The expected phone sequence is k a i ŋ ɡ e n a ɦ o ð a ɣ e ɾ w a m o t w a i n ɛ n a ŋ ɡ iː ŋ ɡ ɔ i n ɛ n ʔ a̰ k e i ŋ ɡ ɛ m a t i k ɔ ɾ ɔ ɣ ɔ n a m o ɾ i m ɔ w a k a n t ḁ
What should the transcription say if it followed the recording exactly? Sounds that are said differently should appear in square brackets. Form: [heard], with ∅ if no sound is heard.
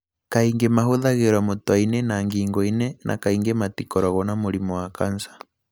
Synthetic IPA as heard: k a i ŋ ɡ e [m] a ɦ o ð a ɣ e ɾ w a m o t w a i n ɛ n a ŋ ɡ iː ŋ ɡ ɔ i n ɛ n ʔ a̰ k [a] i ŋ ɡ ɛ m a t i k ɔ ɾ ɔ ɣ ɔ n a m o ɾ i m ɔ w a k a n [s] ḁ